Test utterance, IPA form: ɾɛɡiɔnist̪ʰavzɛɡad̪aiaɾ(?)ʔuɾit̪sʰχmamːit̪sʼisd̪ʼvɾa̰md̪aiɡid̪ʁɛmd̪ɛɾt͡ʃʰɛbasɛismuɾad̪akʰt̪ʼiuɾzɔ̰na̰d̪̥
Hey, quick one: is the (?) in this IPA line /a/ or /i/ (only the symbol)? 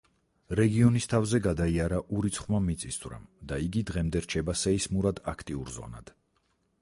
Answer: a